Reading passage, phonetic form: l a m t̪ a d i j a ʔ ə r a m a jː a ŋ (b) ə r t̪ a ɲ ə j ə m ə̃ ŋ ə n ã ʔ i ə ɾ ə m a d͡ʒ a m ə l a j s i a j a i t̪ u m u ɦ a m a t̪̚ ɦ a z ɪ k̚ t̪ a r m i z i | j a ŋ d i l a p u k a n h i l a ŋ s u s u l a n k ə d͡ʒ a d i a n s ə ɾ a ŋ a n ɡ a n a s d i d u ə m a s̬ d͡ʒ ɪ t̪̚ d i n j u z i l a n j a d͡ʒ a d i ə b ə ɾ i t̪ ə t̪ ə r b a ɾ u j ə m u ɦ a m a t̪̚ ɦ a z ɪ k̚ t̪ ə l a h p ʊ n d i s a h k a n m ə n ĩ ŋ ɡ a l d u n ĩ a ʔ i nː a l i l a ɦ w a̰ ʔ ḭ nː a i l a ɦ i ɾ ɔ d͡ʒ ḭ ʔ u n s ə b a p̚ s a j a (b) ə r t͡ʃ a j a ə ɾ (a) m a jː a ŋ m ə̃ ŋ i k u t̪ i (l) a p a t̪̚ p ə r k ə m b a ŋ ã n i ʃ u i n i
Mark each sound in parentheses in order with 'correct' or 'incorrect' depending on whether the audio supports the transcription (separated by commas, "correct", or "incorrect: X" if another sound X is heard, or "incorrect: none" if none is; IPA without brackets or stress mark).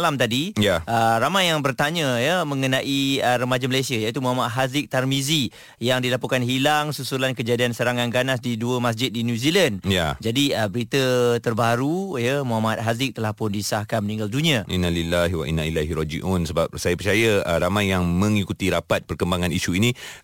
correct, incorrect: p, correct, incorrect: ɾ